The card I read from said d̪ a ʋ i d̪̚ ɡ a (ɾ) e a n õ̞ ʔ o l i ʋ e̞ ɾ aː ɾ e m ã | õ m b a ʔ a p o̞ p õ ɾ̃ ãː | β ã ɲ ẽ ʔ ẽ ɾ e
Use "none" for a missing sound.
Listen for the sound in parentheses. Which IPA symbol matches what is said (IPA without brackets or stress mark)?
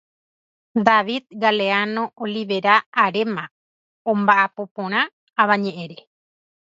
l